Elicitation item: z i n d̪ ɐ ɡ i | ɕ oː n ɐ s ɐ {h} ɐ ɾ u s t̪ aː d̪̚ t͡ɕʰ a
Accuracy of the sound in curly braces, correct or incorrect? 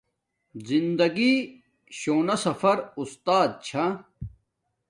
incorrect